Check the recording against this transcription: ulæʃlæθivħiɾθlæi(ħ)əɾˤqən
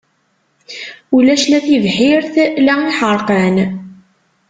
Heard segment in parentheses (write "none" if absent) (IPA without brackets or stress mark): ħ